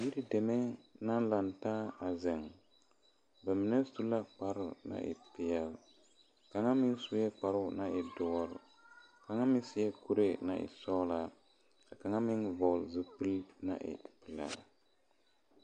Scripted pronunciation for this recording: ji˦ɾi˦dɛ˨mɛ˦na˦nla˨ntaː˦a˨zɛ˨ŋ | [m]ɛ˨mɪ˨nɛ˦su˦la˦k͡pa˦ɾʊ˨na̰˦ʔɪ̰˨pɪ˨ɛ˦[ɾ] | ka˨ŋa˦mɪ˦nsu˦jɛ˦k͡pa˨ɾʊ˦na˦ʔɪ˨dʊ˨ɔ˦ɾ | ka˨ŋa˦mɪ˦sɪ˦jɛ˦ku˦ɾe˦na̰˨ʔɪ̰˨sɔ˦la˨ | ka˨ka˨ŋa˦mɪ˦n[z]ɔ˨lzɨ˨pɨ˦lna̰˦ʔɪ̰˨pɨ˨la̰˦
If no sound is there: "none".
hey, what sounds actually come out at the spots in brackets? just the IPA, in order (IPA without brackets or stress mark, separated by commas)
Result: b, l, v